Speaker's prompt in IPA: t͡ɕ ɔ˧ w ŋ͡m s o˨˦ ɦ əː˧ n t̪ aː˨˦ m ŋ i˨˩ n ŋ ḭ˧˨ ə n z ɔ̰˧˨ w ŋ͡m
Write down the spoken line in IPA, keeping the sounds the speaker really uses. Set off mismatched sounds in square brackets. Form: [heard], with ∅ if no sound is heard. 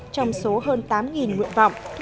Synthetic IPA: t͡ɕ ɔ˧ w ŋ͡m s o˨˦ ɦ əː˧ n t̪ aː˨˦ m ŋ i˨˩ n ŋ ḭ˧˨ ə n [v] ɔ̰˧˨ w ŋ͡m